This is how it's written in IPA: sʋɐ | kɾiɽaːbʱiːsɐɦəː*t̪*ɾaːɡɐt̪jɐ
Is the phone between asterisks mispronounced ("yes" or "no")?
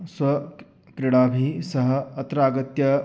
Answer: no